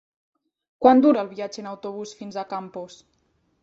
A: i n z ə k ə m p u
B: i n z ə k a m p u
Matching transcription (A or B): B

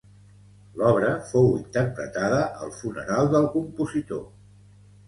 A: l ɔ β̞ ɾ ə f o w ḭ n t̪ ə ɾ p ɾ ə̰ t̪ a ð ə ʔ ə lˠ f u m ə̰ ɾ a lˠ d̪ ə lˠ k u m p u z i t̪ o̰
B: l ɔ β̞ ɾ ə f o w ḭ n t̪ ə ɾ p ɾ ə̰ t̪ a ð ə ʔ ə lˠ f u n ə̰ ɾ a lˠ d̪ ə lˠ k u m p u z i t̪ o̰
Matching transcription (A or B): B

